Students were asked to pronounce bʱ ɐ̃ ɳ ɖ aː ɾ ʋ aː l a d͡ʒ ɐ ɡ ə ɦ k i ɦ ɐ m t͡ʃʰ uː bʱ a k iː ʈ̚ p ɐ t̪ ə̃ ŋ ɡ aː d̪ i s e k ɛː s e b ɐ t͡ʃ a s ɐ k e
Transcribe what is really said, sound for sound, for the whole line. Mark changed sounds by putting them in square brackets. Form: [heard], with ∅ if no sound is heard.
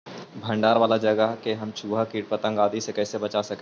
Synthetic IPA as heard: bʱ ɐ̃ ɳ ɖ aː ɾ ʋ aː l a d͡ʒ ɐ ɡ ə ɦ k [e] ɦ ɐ m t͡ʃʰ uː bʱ a k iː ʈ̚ p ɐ t̪ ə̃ ŋ ɡ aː d̪ i s e k ɛː s e b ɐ t͡ʃ a s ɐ k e